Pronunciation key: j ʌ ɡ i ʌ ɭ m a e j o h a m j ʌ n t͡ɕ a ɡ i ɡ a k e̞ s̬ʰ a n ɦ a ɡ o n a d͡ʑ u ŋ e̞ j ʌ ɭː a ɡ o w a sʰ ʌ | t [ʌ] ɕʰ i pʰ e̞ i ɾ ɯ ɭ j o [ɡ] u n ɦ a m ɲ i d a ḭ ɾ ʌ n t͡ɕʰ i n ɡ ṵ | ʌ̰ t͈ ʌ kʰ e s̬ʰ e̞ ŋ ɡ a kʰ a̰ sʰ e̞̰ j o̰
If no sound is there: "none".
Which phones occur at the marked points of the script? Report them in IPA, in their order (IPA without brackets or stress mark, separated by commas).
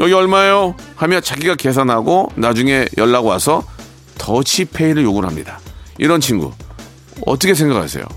ʌ, ɡ